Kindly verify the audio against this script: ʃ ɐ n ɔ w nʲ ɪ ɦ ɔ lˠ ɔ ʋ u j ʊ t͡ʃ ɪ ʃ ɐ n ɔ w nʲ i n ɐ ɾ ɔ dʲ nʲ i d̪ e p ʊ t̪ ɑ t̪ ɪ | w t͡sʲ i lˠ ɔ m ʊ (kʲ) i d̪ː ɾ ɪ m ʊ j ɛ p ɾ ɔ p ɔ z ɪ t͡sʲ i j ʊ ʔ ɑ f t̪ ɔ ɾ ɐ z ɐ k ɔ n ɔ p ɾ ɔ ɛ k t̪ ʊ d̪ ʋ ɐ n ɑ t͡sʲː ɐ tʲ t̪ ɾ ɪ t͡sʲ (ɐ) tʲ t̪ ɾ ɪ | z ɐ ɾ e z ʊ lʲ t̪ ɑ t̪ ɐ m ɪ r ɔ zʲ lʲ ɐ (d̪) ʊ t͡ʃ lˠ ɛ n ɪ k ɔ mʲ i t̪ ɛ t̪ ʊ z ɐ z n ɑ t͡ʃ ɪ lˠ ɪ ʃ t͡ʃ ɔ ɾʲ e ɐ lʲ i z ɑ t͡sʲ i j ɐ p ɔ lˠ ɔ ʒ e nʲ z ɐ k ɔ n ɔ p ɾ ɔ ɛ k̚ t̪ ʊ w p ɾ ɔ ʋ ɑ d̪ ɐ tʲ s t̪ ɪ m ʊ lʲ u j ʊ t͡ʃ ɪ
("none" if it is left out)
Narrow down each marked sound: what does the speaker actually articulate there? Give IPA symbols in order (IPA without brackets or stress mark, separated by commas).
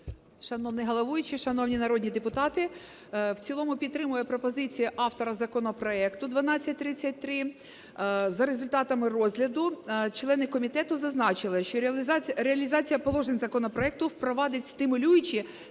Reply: pʲ, ɐ, d̪